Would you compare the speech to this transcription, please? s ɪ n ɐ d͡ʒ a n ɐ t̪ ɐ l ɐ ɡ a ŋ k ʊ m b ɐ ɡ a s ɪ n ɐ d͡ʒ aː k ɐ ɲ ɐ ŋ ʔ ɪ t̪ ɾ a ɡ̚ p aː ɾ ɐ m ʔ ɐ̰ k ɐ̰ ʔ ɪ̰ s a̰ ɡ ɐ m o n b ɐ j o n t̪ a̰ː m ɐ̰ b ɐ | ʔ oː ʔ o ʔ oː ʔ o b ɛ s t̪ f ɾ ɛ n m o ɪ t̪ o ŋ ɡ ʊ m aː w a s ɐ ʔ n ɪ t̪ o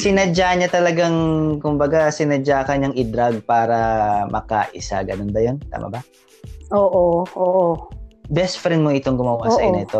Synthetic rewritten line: s ɪ n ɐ d͡ʒ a ɲ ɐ t̪ ɐ l ɐ ɡ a ŋ k ʊ m b ɐ ɡ a s ɪ n ɐ d͡ʒ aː k ɐ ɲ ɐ ŋ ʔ ɪ d̪ ɾ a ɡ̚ p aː ɾ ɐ m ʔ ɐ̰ k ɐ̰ ʔ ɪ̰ s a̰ ɡ ɐ n o n b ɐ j o n t̪ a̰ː m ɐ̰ b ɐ | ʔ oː ʔ o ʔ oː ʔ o b ɛ s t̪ f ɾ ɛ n m o ɪ t̪ o ŋ ɡ ʊ m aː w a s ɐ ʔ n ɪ t̪ o